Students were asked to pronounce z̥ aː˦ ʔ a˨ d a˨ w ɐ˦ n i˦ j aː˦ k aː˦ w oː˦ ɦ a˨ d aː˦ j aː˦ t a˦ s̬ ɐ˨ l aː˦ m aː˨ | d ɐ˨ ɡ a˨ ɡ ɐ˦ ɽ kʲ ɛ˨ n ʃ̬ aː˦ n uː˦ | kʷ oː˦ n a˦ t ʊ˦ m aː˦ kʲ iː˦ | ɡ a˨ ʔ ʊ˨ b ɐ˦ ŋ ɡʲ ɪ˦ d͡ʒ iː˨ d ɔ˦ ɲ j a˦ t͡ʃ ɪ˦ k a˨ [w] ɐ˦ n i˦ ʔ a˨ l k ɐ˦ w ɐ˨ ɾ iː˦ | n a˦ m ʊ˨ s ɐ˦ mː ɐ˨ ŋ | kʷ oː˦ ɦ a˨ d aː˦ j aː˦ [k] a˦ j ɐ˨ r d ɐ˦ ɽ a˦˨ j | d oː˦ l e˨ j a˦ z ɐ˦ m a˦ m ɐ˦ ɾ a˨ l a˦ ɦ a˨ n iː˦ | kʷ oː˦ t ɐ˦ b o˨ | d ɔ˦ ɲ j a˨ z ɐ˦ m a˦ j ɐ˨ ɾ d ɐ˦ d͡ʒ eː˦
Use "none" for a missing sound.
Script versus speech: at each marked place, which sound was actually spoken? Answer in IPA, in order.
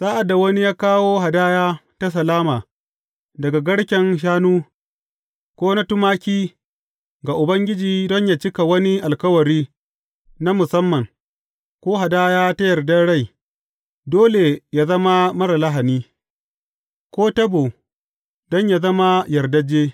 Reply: w, t

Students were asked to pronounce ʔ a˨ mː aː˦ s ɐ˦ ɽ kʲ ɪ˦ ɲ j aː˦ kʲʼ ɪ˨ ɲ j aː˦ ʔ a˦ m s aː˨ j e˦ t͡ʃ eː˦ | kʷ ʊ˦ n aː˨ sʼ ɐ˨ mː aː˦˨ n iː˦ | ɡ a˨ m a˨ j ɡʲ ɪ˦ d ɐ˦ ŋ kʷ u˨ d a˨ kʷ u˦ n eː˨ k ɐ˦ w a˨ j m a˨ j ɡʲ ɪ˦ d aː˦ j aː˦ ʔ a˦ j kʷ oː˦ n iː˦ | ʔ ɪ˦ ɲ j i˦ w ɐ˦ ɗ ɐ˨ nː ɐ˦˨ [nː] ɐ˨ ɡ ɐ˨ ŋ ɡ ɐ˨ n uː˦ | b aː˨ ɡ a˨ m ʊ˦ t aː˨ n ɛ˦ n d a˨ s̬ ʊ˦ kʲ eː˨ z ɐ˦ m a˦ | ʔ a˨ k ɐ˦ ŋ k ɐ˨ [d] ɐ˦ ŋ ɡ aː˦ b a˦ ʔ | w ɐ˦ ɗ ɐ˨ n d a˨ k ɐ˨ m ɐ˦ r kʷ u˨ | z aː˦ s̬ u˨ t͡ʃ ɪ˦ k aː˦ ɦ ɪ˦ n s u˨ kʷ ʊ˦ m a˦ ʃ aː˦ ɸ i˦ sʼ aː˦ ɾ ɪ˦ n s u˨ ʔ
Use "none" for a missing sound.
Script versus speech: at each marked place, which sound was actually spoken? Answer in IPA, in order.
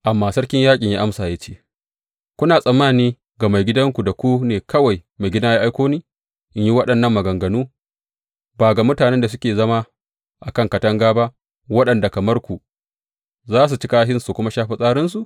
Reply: mː, t

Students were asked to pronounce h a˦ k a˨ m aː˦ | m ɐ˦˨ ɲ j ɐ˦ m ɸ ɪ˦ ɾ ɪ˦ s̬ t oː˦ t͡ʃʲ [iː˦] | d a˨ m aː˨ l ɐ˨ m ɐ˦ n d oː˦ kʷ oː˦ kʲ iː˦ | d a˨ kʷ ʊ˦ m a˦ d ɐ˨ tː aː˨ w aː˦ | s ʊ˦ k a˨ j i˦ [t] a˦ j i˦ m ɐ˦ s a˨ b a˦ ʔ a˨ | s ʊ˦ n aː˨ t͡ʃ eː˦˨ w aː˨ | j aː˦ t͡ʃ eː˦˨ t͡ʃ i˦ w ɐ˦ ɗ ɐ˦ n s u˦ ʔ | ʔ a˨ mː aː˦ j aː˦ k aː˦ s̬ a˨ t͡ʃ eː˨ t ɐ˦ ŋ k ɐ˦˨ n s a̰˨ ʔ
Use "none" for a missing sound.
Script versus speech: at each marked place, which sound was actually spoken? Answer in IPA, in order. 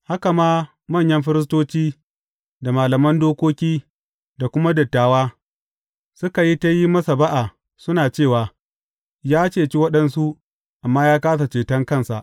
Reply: iː˦, t

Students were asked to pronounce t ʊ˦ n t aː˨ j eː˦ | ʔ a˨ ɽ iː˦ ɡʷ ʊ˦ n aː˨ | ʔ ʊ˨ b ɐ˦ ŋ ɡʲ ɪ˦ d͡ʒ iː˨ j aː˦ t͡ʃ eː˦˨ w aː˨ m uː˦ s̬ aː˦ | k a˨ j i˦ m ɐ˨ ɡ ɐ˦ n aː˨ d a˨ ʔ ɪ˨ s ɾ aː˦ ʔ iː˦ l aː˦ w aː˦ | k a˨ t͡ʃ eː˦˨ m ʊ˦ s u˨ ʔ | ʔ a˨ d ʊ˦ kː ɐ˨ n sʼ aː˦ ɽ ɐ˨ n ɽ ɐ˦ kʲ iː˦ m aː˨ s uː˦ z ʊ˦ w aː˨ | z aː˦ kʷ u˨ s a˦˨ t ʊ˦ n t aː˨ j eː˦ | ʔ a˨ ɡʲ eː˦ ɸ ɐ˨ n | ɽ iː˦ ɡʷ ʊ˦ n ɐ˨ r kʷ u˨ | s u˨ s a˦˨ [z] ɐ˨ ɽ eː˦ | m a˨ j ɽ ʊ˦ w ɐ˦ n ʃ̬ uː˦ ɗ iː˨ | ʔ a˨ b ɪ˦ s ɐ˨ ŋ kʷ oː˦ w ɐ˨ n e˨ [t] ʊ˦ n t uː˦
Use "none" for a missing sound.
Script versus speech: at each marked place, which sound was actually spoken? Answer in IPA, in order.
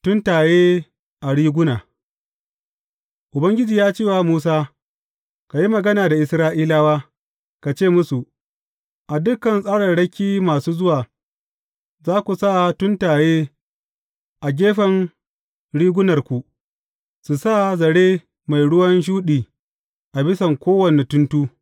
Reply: z, t

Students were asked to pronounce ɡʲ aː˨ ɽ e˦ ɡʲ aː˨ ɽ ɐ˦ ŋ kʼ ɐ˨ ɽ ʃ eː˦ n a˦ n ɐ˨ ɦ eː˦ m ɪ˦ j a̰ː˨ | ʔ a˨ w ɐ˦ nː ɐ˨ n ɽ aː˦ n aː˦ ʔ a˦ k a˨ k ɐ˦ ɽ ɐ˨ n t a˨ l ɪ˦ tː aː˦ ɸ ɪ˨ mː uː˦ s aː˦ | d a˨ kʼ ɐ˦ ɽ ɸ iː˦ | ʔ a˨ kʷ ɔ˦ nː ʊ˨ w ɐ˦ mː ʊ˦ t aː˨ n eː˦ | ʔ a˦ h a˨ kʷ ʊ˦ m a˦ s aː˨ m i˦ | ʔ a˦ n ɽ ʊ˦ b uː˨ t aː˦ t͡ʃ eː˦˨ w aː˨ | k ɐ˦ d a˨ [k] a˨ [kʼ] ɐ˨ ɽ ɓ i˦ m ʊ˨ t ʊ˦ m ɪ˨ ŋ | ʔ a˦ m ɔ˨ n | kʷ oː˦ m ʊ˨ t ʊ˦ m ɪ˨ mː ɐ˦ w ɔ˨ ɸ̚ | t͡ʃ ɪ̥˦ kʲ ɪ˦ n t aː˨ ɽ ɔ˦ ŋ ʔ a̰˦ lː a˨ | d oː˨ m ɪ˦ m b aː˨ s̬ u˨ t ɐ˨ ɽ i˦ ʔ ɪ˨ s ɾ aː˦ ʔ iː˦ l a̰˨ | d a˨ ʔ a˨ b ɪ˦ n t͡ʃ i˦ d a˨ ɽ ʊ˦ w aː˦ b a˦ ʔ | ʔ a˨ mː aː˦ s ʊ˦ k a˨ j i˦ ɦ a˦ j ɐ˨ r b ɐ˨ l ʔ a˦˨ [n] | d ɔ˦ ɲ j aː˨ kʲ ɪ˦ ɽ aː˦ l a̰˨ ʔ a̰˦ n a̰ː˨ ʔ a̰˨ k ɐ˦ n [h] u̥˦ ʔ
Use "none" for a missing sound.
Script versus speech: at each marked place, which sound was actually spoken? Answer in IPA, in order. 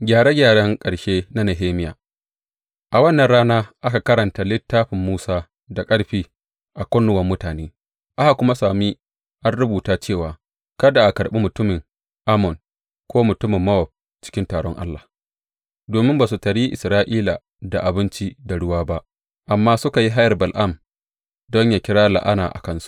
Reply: ʔ, k, m, s

